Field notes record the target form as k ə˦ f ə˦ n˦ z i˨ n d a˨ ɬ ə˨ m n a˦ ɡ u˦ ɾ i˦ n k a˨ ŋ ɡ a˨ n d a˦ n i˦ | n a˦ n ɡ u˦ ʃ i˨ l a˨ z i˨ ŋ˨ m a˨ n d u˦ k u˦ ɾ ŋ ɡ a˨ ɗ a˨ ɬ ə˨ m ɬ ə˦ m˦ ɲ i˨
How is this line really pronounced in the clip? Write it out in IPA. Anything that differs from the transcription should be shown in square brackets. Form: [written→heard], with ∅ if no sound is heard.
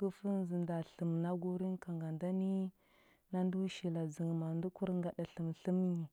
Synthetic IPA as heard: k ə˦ f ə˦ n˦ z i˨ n d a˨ ɬ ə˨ m n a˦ ɡ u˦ ɾ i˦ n k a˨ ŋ ɡ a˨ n d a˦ n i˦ | n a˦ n [ɡ→d] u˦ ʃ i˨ l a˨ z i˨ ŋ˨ m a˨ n d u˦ k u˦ ɾ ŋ ɡ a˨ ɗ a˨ ɬ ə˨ m ɬ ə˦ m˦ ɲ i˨